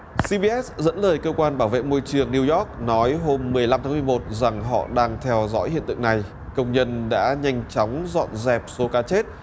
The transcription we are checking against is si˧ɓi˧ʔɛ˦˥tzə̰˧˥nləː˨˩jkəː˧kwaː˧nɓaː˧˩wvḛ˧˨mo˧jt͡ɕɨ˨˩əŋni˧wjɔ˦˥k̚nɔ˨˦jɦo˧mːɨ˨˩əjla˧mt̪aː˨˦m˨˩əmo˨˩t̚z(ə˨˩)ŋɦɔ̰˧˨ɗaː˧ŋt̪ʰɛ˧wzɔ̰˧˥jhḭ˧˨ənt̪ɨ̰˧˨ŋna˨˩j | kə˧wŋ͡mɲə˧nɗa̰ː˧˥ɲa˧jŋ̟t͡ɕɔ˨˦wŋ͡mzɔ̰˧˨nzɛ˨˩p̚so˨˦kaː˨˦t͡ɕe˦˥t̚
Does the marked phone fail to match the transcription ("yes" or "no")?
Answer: yes